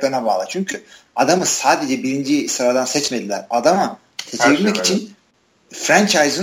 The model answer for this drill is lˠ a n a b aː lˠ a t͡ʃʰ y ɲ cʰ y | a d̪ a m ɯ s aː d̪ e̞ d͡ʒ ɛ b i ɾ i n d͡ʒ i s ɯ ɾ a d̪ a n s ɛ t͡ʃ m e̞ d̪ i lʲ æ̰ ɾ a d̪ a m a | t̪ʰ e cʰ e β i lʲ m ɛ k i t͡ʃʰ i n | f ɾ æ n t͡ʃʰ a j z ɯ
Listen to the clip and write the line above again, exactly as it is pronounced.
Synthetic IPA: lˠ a n a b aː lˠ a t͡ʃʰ y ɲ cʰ y | a d̪ a m ɯ s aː d̪ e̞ d͡ʒ ɛ b i ɾ i n d͡ʒ i s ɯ ɾ a d̪ a n s ɛ t͡ʃ m e̞ d̪ i lʲ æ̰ ɾ a d̪ a m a | t̪ʰ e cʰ e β i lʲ m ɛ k i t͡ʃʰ i n | f ɾ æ n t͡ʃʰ a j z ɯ